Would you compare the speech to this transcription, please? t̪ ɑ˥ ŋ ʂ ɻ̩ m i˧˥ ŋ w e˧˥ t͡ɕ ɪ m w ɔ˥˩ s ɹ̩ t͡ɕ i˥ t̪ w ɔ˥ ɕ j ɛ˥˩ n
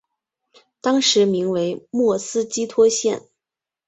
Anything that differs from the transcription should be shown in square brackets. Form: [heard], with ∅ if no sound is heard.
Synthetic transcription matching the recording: t̪ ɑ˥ ŋ ʂ ɻ̩ m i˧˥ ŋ w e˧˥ [∅] ɪ m w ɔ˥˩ s ɹ̩ t͡ɕ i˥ [t̪ʰ] w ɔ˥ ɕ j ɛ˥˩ n